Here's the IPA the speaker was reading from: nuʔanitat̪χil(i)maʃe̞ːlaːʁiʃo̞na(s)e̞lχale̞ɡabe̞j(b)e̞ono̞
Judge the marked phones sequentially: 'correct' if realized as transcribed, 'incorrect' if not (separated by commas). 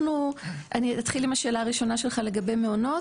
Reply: correct, incorrect, incorrect